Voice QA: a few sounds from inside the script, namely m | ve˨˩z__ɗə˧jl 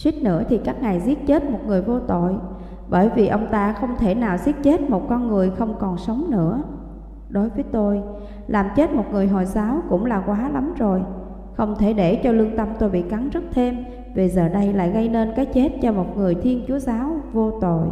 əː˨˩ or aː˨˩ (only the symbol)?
əː˨˩